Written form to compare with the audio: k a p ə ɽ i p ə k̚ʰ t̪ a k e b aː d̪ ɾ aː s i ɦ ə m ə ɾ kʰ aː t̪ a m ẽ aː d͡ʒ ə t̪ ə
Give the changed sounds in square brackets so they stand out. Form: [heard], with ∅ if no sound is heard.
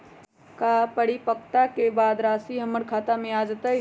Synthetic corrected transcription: k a p ə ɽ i p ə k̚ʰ t̪ a k e b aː d̪ ɾ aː s i ɦ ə m ə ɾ kʰ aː t̪ a m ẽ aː d͡ʒ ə t̪ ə